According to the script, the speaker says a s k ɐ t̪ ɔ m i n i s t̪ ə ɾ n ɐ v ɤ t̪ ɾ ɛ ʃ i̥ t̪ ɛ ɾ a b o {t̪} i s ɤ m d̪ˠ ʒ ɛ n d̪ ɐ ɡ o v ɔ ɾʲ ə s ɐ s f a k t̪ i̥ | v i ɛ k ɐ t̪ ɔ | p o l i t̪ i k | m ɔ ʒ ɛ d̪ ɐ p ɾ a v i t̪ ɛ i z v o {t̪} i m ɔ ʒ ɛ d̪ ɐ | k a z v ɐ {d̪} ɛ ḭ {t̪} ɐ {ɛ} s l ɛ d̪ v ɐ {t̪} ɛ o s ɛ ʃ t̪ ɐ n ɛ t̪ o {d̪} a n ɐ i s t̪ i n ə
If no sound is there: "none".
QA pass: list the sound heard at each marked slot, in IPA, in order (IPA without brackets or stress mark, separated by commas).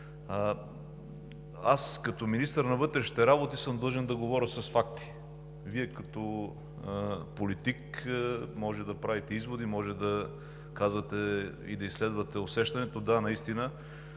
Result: t̪, d̪, t̪, d̪, i, t̪, d̪